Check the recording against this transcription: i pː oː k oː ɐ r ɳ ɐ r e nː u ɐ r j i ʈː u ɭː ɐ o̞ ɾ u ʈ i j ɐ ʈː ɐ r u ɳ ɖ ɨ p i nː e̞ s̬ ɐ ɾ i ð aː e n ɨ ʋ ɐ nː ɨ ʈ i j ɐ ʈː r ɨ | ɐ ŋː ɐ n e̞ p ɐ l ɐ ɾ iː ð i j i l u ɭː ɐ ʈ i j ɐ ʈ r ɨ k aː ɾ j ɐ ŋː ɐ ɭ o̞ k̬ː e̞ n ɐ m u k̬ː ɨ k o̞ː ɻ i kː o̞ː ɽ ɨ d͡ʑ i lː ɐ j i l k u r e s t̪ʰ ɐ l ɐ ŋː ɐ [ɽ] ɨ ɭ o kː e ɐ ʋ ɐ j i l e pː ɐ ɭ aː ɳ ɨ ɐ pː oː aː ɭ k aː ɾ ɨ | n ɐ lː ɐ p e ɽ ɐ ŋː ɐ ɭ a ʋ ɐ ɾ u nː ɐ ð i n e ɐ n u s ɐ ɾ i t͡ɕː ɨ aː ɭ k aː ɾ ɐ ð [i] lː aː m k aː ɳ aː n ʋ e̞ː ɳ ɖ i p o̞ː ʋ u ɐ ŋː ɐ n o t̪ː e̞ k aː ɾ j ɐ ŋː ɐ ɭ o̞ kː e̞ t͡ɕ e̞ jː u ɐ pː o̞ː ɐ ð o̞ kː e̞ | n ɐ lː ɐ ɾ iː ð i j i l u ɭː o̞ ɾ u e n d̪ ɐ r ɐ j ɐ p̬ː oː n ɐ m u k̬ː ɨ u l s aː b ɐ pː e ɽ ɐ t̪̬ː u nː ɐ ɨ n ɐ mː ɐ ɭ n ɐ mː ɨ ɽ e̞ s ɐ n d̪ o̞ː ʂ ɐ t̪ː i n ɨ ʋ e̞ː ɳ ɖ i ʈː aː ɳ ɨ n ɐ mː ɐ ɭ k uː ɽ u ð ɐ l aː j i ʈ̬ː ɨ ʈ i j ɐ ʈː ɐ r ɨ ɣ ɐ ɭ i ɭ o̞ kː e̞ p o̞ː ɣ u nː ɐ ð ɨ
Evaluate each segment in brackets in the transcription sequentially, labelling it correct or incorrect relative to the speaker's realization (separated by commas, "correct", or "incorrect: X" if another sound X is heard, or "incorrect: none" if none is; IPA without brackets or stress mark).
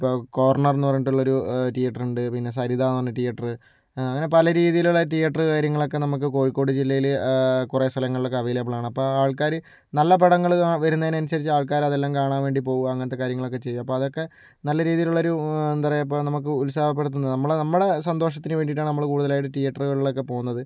incorrect: ɭ, incorrect: e